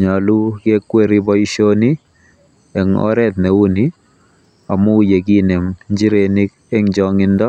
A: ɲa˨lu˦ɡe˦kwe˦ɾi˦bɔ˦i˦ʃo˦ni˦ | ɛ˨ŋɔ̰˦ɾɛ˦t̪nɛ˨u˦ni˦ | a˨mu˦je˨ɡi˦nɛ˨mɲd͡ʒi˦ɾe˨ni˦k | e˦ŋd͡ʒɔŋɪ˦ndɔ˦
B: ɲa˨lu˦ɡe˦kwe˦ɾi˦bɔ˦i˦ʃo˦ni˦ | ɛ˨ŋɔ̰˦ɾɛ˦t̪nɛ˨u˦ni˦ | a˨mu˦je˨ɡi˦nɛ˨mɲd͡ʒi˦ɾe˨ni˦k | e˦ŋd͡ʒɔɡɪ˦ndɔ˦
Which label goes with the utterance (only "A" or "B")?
A